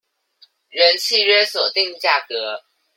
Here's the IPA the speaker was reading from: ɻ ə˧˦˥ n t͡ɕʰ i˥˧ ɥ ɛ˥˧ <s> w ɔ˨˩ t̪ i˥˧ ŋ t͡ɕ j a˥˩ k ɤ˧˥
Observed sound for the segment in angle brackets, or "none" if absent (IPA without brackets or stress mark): s